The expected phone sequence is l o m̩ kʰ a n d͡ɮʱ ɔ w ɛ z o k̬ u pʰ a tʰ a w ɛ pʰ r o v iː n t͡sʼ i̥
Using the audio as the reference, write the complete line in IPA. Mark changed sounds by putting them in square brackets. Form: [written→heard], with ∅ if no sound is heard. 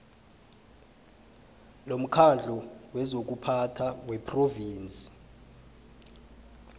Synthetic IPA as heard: l o m̩ kʰ a n d͡ɮʱ ɔ w ɛ z o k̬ u pʰ a tʰ a w ɛ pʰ r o v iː n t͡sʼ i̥